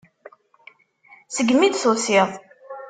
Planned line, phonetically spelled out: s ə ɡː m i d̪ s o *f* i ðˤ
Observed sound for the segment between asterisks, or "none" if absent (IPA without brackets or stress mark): s